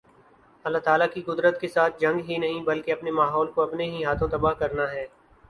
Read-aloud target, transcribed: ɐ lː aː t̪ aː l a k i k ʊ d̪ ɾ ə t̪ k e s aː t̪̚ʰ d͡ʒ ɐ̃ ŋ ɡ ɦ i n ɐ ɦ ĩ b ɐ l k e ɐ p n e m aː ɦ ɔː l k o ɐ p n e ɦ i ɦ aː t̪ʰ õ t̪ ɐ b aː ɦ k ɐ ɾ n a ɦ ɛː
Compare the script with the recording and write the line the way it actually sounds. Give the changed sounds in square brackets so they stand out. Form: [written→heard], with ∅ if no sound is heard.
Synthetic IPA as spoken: ɐ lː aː t̪ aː l a k i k ʊ d̪ ɾ ə t̪ k e s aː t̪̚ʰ d͡ʒ ɐ̃ ŋ ɡ ɦ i n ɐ ɦ ĩ b ɐ l k e ɐ p n e m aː ɦ ɔː l k o ɐ p n e ɦ i ɦ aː t̪ʰ õ t̪ ɐ b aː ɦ k ɐ ɾ n a ɦ ɛː